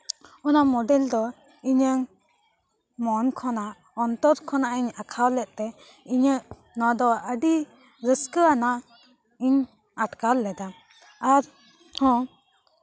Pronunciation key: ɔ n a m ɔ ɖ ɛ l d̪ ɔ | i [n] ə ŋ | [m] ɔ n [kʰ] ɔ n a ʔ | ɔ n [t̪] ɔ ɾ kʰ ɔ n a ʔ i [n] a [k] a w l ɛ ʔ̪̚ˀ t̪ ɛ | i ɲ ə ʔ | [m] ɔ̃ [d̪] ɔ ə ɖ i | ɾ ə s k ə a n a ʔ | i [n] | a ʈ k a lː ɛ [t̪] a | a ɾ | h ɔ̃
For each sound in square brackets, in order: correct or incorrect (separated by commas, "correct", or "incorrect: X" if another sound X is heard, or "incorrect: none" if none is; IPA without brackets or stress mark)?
incorrect: ɲ, correct, correct, correct, incorrect: ɲ, incorrect: kʰ, incorrect: n, correct, incorrect: ɲ, incorrect: d̪